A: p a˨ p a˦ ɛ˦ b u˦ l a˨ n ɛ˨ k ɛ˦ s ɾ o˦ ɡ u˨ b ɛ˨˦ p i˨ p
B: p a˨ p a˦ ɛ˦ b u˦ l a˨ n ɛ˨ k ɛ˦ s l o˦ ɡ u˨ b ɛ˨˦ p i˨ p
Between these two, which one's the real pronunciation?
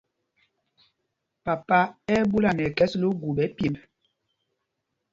B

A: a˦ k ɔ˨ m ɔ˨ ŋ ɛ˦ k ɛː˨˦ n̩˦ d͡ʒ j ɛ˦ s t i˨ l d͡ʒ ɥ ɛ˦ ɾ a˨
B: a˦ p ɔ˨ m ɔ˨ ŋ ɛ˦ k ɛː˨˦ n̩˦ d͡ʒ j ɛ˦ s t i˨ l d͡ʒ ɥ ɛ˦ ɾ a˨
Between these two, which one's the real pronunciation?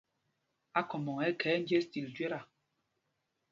A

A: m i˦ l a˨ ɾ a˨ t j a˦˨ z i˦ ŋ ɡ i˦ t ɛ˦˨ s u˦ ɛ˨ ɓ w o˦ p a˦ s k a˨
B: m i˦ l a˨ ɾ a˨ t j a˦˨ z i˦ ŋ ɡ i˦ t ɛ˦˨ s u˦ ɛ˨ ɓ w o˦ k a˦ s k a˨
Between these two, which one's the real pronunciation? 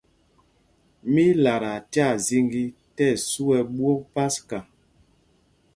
A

